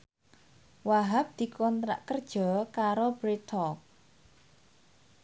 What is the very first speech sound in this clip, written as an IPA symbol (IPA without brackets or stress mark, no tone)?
w